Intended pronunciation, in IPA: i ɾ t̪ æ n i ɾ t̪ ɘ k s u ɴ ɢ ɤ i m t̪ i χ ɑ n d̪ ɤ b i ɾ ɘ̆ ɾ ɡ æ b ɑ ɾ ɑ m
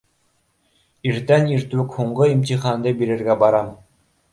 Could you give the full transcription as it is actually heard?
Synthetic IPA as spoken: i ɾ t̪ æ n i ɾ t̪ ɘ k h u ɴ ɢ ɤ i m t̪ i χ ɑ n d̪ ɤ b i ɾ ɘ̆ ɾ ɡ æ b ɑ ɾ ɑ m